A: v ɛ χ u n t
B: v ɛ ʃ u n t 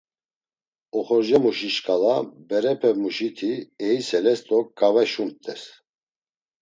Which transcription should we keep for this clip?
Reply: B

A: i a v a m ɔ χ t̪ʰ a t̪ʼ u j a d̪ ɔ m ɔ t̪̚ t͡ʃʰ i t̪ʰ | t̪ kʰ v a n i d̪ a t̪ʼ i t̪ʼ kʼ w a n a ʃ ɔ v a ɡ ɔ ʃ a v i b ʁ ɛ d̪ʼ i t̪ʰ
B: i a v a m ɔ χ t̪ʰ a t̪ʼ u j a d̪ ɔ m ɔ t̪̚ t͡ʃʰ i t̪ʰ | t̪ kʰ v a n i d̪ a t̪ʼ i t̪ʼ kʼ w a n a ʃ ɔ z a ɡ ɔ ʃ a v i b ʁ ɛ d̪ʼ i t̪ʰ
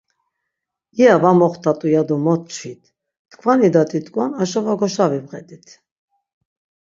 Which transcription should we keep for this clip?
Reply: A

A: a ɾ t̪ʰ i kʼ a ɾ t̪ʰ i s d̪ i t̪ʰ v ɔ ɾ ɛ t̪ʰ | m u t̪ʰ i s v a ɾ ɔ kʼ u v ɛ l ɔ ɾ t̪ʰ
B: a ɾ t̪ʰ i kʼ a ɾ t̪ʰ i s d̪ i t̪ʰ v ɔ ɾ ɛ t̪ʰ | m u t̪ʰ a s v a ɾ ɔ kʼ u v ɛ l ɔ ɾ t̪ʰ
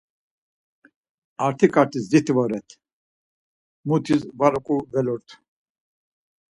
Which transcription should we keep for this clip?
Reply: A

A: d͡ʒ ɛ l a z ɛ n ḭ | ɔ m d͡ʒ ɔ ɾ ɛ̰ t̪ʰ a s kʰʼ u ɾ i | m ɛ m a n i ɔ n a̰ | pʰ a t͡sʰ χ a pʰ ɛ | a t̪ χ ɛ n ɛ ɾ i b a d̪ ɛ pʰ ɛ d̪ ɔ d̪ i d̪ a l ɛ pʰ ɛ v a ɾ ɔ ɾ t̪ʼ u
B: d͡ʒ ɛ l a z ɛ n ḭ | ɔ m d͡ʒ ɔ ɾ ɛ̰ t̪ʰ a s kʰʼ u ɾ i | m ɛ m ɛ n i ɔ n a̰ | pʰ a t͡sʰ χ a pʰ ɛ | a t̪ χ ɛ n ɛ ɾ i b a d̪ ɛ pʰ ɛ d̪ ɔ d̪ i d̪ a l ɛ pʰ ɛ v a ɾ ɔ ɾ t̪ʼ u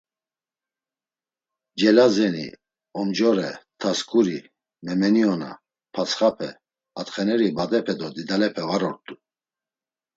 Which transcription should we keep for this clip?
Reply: B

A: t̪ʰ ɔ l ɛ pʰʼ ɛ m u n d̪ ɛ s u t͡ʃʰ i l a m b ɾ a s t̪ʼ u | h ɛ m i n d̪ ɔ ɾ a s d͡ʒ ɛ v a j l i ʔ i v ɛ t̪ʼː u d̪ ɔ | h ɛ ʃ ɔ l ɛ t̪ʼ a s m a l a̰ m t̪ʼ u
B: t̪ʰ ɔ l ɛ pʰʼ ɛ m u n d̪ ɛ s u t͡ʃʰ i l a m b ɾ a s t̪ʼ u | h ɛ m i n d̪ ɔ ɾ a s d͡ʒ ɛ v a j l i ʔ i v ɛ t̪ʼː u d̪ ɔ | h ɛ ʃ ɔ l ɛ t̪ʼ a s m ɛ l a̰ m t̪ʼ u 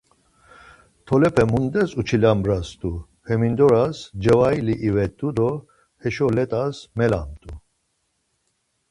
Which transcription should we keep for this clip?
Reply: B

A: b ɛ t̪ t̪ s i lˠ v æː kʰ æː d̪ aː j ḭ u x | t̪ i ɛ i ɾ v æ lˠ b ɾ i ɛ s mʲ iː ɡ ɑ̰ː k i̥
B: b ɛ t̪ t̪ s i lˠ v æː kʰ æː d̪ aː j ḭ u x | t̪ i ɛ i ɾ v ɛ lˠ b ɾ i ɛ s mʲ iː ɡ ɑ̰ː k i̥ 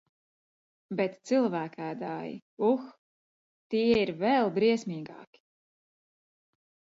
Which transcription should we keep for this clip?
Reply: B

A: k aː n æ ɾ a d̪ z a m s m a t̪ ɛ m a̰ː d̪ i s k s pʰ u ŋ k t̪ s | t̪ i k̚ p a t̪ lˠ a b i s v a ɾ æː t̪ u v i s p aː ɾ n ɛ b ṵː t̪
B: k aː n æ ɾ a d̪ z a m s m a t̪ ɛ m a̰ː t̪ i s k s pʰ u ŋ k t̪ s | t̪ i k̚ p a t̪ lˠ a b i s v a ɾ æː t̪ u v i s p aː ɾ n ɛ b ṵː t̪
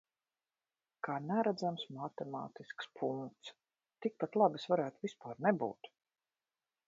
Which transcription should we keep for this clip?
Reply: B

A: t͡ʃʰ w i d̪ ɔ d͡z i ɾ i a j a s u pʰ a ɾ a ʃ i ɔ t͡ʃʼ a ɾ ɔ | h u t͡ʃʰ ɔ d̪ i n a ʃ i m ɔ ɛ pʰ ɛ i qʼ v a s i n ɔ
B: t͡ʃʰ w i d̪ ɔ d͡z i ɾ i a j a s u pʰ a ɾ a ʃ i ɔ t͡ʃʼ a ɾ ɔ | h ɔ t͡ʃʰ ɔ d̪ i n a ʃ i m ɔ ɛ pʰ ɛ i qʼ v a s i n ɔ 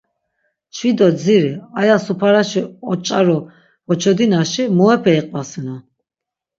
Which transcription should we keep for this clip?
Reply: B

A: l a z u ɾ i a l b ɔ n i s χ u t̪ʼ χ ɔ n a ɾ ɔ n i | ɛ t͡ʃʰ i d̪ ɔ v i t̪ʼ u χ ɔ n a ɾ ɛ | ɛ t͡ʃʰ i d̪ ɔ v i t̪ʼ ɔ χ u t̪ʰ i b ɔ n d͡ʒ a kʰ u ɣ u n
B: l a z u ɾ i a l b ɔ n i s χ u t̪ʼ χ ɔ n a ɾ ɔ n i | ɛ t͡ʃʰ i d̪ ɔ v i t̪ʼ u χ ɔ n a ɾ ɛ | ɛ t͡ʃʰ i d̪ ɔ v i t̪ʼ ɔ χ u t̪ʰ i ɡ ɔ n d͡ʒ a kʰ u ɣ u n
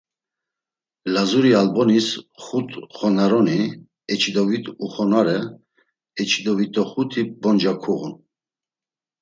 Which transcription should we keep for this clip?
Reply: A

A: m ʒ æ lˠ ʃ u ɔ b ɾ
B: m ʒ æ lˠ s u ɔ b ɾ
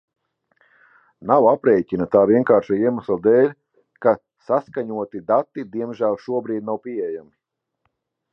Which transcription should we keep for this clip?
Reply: A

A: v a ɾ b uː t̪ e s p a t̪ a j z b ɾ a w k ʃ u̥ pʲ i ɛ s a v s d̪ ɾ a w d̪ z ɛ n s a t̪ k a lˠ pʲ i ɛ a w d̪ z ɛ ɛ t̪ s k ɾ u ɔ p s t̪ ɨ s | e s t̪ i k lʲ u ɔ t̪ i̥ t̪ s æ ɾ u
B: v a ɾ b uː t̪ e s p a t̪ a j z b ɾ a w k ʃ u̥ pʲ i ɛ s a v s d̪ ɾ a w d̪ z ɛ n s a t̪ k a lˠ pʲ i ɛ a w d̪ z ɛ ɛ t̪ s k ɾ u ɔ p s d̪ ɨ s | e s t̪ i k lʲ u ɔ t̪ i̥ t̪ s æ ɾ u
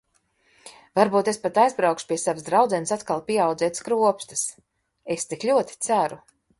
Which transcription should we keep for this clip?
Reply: A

